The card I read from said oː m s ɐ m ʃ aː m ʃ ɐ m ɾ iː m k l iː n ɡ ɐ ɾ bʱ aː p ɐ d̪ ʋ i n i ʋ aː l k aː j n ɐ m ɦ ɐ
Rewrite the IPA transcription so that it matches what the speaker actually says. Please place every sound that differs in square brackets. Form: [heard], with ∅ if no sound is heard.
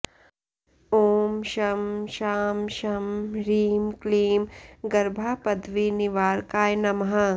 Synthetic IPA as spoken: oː m [ʃ] ɐ m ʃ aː m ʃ ɐ m ɾ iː m k l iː [m] ɡ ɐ ɾ bʱ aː p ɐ d̪ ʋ i n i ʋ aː [ɾ] k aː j n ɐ m ɦ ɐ